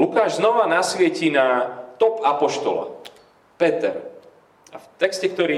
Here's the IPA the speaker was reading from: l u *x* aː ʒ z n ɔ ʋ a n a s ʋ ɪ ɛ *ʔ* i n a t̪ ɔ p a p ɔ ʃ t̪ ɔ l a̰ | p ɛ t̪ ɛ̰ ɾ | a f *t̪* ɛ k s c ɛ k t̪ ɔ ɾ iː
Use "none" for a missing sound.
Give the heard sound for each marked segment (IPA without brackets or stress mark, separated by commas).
k, c, t̪